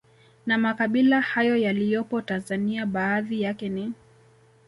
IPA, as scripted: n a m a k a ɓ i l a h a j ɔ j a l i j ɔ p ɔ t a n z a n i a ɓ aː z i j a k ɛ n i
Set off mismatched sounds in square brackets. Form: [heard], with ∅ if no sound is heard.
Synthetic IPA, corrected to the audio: n a m a k a ɓ i l a h a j ɔ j a l i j ɔ p ɔ t a n z a n i a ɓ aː [ð] i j a k ɛ n i